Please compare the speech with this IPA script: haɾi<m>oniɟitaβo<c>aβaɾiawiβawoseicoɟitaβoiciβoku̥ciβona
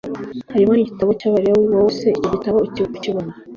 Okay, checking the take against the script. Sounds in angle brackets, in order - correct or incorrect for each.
correct, correct

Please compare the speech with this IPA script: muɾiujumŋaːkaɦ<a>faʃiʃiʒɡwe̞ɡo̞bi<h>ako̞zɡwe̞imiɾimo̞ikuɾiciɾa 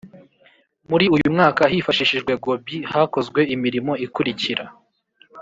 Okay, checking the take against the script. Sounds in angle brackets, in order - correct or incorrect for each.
incorrect: i, correct

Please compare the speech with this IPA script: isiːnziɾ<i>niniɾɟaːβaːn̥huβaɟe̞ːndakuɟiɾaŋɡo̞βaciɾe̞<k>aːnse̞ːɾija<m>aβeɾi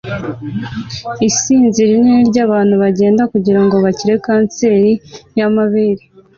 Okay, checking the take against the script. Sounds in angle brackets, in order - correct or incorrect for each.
correct, correct, correct

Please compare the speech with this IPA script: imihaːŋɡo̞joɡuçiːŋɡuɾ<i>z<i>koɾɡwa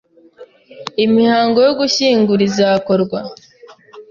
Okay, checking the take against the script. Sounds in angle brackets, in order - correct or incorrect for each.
correct, incorrect: a

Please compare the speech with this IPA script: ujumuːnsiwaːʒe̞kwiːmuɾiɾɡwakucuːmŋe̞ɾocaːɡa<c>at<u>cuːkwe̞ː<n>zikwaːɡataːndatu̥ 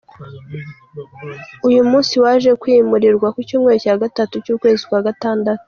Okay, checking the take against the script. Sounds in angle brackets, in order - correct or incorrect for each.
incorrect: t, correct, incorrect: none

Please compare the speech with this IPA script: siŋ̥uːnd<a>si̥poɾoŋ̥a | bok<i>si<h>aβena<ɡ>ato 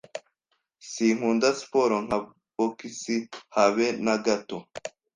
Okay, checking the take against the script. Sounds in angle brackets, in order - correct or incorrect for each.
correct, correct, correct, correct

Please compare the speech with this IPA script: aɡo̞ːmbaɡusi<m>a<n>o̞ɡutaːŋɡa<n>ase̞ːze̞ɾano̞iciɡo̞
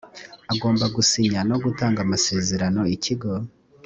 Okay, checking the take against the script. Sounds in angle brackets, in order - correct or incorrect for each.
incorrect: ɲ, correct, incorrect: m

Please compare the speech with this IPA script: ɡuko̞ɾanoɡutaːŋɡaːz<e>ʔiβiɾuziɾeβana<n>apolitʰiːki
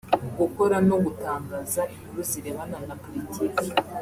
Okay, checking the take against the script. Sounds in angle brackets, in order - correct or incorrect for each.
incorrect: a, correct

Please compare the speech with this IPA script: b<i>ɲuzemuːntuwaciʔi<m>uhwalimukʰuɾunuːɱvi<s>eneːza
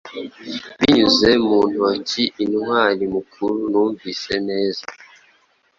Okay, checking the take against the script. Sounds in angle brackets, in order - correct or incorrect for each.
correct, incorrect: n, correct

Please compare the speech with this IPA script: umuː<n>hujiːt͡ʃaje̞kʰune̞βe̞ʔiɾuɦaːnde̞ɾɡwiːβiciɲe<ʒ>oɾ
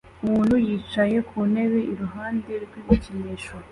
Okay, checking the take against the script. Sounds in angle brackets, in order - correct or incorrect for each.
correct, incorrect: ʃ

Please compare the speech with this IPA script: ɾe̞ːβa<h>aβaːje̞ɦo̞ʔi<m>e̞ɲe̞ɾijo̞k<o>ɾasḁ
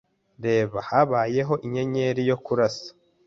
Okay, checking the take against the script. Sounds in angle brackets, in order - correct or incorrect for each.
correct, incorrect: ɲ, incorrect: u

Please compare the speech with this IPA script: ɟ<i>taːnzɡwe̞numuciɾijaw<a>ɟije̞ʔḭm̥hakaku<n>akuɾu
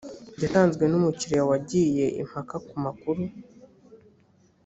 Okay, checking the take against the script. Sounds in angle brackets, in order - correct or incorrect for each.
incorrect: a, correct, incorrect: m

